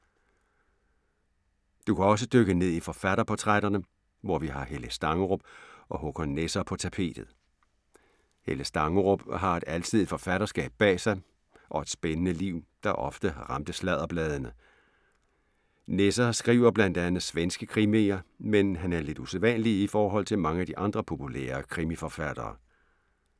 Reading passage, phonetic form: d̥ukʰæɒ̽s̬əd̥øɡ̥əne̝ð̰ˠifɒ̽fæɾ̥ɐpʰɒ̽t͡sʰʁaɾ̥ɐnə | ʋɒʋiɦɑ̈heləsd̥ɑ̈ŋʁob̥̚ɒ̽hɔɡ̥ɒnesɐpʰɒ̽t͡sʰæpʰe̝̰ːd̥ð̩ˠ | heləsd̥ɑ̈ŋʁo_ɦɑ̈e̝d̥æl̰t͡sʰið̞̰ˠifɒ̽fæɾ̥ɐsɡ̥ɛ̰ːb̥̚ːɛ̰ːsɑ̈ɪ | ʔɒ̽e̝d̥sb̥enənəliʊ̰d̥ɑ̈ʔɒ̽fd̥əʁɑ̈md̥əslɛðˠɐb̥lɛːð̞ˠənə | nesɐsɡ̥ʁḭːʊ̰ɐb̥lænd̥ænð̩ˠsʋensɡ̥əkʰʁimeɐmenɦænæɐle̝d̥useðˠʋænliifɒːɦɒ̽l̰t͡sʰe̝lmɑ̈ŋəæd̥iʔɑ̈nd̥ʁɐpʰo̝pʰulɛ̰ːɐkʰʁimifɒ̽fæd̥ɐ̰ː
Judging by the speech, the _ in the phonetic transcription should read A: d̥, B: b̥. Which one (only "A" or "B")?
B